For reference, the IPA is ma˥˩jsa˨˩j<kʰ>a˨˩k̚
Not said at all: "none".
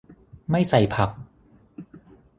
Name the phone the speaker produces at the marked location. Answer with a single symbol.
pʰ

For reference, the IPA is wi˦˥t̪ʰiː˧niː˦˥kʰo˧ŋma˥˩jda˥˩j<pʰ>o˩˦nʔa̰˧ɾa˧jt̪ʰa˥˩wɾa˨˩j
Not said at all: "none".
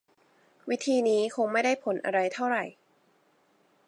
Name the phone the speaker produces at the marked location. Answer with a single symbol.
pʰ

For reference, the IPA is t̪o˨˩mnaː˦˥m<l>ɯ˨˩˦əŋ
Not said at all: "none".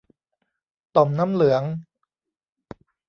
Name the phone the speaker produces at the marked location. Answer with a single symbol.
l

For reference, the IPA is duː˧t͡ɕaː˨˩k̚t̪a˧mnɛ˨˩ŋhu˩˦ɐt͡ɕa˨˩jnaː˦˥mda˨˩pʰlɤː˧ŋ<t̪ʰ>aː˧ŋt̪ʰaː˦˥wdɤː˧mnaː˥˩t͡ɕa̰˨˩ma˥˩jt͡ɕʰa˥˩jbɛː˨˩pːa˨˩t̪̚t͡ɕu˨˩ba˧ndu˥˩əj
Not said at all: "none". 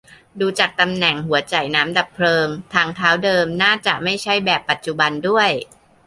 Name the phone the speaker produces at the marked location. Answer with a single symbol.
t̪ʰ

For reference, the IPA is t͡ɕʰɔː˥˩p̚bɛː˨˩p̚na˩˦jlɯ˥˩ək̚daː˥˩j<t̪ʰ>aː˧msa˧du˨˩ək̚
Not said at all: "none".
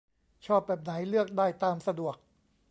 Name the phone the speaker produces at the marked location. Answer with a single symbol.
t̪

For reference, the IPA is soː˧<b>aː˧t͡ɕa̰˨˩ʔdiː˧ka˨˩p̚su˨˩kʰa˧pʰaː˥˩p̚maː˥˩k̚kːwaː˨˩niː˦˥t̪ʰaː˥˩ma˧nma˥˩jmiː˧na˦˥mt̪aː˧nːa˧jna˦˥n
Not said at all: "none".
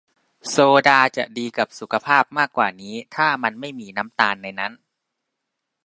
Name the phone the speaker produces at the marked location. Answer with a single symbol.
d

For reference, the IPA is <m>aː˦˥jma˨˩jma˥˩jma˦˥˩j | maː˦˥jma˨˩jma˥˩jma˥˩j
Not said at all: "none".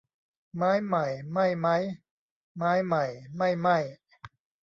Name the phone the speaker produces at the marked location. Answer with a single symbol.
m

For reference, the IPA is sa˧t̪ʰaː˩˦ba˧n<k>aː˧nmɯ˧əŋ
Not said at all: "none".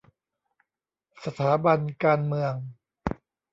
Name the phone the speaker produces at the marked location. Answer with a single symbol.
k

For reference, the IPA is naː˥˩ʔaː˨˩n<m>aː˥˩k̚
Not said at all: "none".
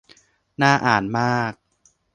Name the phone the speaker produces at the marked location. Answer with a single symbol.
m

